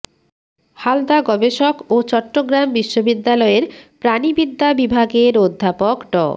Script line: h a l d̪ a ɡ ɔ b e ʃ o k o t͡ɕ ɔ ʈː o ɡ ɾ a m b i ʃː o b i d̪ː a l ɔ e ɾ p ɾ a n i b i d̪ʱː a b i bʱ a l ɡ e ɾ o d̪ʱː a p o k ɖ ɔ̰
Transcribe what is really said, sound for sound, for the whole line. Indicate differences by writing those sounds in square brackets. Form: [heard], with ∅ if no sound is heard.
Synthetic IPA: h a l d̪ a ɡ ɔ b e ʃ o k o t͡ɕ ɔ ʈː o ɡ ɾ a m b i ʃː o b i d̪ː a l ɔ e ɾ p ɾ a n i b i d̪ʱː a b i bʱ a [∅] ɡ e ɾ o d̪ʱː a p o k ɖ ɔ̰